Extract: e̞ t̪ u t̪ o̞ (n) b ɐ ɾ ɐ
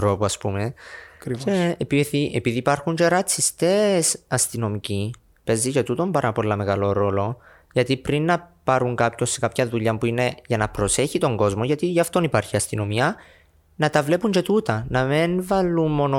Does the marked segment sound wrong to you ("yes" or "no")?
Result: yes